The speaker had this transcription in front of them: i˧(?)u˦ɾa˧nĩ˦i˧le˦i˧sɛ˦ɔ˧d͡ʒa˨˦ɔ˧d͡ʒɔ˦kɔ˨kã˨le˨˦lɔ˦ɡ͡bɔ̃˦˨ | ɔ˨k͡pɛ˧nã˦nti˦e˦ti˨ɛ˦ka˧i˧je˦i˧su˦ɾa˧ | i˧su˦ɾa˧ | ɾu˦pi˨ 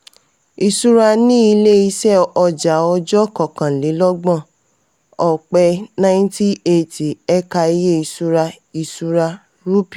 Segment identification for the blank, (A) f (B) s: B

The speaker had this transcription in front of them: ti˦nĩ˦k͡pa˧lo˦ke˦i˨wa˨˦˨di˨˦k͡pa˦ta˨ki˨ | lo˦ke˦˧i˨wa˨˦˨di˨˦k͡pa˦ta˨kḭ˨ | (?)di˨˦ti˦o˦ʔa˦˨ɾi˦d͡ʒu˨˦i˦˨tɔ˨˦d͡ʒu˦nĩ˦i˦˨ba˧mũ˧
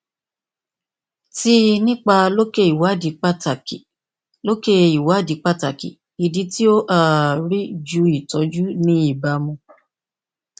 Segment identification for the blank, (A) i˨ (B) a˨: A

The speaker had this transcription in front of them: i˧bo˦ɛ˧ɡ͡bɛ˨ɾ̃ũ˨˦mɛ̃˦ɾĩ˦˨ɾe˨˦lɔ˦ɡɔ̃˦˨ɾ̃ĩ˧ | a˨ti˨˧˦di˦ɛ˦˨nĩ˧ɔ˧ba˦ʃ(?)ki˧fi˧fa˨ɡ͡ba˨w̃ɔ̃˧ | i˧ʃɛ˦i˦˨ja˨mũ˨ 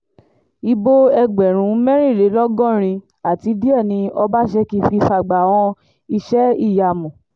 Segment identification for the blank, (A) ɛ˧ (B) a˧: A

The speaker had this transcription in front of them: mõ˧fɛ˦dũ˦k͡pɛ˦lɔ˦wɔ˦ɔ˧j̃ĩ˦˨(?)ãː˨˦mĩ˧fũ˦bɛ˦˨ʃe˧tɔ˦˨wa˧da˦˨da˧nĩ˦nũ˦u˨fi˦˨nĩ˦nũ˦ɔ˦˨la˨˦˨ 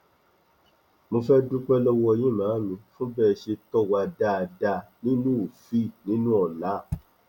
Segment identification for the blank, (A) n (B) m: B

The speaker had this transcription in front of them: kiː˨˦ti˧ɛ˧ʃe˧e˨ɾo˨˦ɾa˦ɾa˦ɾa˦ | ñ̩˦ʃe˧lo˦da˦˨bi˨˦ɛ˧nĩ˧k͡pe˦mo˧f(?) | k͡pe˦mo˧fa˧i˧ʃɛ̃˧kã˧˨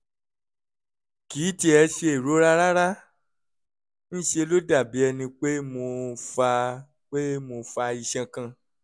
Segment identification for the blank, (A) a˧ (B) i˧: A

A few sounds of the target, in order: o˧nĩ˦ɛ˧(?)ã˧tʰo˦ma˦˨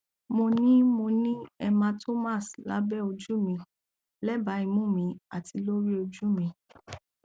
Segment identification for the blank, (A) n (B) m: B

